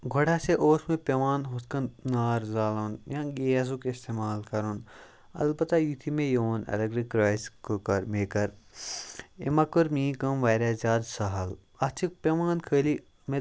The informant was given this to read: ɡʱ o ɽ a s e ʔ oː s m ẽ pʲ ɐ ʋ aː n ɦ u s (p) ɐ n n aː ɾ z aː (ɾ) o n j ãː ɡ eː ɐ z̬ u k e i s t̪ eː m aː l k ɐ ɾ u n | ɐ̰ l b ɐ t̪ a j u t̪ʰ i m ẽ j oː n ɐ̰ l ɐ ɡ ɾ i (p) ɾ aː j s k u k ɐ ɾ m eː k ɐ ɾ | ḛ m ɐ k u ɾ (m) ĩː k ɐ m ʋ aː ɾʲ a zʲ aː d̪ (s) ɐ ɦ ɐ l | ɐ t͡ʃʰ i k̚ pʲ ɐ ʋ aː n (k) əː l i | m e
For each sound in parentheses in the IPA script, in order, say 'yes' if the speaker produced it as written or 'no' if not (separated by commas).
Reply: no, no, no, yes, yes, no